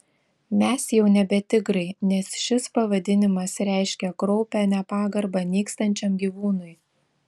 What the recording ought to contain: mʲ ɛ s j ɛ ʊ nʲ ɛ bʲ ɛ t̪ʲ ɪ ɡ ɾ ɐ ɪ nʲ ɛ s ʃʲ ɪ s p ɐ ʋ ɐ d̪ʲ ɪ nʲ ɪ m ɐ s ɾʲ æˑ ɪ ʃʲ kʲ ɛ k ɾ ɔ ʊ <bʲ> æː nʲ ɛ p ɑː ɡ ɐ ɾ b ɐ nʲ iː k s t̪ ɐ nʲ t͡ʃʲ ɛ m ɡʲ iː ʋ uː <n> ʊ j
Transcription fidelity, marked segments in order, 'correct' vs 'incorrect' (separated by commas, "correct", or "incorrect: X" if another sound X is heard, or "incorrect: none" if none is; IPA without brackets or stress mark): incorrect: pʲ, correct